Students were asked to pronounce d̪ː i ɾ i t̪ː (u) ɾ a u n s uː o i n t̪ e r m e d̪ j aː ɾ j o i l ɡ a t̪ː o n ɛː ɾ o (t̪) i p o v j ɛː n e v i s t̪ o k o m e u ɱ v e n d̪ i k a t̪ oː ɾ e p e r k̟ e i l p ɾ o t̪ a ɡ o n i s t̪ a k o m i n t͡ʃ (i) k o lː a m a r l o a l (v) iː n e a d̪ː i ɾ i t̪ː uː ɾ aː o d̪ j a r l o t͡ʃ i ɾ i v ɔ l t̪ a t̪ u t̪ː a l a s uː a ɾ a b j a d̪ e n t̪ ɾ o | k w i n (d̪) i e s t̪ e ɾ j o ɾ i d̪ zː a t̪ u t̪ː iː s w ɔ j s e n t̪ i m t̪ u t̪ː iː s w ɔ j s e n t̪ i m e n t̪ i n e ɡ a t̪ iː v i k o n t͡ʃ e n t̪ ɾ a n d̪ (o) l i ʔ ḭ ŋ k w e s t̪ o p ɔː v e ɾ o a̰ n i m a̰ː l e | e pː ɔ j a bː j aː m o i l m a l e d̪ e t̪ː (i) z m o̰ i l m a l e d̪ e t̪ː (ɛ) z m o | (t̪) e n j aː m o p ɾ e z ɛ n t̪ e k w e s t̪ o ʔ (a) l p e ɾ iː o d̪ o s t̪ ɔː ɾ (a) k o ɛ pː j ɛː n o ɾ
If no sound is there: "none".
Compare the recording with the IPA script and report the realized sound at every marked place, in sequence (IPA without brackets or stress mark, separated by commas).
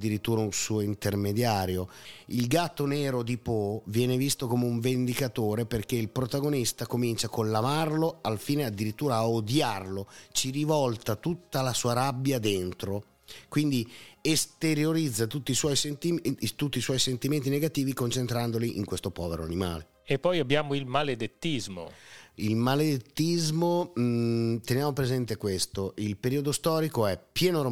uː, d̪, a, f, d̪, o, i, i, t̪, i, i